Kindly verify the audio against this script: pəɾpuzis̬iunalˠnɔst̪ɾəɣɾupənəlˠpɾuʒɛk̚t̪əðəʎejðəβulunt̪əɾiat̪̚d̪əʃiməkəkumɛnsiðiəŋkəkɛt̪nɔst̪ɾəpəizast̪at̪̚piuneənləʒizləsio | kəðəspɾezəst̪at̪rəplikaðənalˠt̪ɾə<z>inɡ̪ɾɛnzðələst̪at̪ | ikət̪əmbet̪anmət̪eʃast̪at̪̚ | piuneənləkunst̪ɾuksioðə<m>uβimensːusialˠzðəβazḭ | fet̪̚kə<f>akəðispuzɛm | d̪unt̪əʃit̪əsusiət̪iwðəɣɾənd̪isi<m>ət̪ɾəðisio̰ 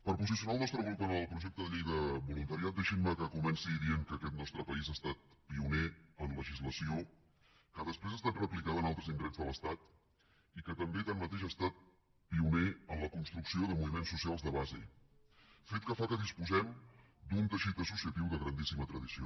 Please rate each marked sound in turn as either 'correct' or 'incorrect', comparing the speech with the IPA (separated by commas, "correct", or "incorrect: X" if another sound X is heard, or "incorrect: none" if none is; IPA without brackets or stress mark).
correct, correct, correct, correct